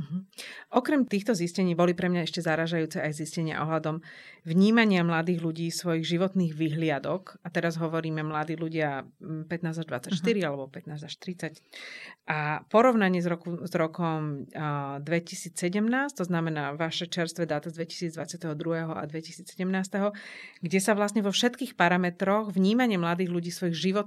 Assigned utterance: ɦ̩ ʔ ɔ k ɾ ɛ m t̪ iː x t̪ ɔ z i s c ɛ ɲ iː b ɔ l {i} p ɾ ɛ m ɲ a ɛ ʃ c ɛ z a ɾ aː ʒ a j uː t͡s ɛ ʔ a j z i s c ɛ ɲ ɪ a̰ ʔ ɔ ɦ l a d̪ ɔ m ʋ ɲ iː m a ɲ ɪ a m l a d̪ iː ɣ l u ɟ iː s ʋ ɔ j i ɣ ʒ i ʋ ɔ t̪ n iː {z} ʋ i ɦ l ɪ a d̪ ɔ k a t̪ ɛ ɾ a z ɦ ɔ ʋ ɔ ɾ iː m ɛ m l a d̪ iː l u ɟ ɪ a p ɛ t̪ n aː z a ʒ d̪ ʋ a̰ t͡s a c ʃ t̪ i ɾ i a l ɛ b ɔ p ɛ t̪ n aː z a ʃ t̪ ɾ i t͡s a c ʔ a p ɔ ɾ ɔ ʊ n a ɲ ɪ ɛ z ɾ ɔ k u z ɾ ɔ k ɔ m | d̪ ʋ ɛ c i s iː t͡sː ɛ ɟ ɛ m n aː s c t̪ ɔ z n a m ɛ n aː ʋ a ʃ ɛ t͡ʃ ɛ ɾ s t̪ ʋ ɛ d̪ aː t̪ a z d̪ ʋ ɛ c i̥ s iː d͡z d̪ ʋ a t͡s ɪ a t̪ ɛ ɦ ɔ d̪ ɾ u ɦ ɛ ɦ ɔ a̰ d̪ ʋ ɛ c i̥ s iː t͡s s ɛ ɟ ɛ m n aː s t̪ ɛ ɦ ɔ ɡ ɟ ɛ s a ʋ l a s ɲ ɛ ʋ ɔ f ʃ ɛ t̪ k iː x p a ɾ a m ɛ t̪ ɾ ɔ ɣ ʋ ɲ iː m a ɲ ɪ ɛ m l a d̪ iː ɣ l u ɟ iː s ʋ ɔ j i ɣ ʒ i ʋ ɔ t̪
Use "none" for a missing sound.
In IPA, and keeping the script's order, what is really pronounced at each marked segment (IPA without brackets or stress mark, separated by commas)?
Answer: i, ɣ